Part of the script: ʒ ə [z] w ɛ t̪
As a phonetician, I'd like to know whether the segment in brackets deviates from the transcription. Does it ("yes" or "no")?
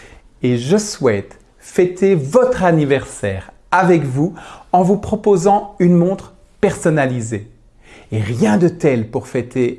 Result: yes